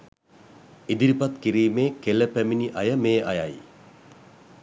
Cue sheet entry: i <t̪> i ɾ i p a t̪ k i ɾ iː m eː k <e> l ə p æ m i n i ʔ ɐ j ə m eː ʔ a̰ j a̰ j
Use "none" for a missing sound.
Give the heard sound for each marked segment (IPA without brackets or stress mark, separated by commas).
d̪, e